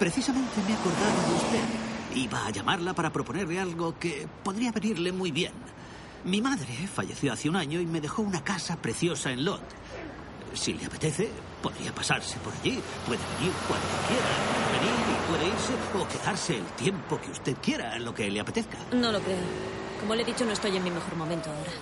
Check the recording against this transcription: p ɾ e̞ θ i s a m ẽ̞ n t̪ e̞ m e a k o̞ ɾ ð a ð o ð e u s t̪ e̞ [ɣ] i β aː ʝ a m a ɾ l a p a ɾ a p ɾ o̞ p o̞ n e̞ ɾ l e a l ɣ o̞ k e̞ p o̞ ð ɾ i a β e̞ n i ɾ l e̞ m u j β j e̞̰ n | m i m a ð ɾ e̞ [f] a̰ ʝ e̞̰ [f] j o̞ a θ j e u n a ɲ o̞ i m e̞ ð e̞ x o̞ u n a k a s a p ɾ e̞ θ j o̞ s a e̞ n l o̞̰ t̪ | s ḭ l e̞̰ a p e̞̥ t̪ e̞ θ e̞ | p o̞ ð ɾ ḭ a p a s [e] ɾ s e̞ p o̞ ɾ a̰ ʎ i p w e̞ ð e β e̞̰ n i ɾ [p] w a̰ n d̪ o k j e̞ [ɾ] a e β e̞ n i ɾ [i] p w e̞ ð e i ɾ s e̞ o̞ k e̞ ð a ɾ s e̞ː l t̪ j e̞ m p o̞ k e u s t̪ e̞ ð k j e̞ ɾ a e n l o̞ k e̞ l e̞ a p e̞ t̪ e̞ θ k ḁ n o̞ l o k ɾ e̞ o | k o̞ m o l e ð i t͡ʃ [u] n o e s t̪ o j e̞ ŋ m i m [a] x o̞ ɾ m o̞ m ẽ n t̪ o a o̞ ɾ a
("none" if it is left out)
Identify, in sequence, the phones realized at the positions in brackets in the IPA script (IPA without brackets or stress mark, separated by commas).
ð, f, θ, a, k, ɾ, i, o, e